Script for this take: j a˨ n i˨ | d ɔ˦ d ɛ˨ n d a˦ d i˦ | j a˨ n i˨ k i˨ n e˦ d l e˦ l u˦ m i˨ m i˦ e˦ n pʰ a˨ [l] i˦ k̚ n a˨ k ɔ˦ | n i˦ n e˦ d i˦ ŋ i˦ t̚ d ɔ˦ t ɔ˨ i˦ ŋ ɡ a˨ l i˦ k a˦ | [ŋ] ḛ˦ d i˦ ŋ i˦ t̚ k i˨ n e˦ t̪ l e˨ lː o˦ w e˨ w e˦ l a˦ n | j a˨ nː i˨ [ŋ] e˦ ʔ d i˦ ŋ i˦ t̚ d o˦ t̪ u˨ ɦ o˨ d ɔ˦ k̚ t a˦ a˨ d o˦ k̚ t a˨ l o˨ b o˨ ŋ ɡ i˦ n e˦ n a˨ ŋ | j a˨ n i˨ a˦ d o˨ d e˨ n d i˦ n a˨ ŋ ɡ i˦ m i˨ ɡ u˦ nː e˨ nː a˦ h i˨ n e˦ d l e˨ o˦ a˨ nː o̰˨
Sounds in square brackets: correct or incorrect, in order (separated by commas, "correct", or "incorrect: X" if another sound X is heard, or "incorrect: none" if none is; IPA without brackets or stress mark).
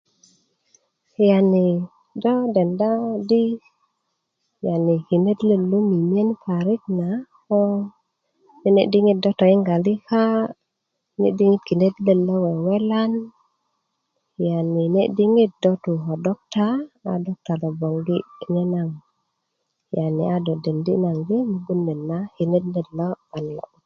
incorrect: ɾ, incorrect: n, incorrect: n